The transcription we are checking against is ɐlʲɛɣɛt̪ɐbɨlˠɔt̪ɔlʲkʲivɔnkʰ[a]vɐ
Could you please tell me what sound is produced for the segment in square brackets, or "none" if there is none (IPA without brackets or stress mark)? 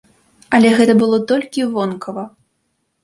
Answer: ɐ